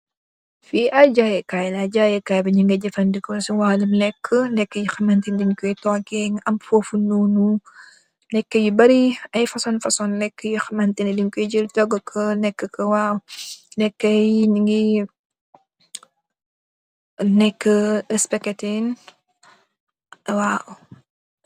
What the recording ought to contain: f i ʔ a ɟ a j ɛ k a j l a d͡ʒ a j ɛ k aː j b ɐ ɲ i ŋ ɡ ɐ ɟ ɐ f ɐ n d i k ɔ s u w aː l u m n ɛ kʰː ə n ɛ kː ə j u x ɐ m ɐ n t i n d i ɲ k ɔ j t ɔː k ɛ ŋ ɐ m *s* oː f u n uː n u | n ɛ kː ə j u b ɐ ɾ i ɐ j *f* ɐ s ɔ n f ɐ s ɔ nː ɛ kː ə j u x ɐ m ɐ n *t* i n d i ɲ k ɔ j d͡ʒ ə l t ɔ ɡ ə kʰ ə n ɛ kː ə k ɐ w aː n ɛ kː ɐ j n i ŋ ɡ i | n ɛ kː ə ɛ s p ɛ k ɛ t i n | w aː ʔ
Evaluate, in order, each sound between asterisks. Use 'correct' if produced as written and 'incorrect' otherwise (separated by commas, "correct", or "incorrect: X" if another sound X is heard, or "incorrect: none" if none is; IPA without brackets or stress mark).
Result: incorrect: f, correct, correct